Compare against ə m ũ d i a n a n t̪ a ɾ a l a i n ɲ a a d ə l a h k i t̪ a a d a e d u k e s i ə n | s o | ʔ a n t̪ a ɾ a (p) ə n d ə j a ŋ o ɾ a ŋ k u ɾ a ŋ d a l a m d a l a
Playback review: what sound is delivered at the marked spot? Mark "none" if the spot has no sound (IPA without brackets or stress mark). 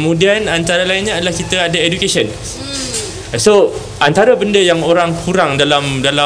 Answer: b